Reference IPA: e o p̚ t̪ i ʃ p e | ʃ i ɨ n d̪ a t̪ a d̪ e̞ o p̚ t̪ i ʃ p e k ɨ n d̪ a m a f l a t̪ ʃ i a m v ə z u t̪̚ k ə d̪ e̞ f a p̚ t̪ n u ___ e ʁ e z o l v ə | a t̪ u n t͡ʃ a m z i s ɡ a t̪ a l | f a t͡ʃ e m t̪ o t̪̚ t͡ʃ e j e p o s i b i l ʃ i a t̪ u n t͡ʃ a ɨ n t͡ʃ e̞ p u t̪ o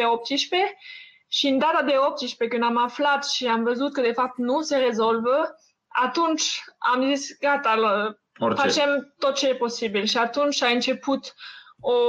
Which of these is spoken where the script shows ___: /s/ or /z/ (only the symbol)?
s